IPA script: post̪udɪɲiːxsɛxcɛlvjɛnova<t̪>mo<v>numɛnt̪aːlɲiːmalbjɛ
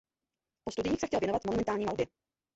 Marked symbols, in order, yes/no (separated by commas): yes, no